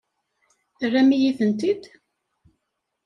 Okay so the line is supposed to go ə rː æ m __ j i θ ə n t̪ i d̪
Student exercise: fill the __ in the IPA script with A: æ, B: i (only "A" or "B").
B